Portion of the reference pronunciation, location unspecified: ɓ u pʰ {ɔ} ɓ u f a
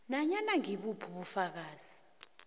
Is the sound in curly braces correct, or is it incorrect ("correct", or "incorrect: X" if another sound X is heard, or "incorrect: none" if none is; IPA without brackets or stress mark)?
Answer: incorrect: u